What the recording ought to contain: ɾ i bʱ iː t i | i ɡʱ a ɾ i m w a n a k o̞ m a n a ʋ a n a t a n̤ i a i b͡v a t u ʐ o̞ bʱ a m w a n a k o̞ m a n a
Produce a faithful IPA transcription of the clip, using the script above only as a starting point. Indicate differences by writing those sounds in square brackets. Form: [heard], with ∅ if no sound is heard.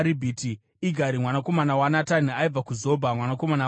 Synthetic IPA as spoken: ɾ i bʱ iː t i | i ɡʱ a ɾ i m w a n a k o̞ m a n a [w] a n a t a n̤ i a i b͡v a [k] u [z] o̞ bʱ a m w a n a k o̞ m a n a